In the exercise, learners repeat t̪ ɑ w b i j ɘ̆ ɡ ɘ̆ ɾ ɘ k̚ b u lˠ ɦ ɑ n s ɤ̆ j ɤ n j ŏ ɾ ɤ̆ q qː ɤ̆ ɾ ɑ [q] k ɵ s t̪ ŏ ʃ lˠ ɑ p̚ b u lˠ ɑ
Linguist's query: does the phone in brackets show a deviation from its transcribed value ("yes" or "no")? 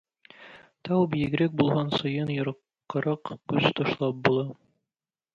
no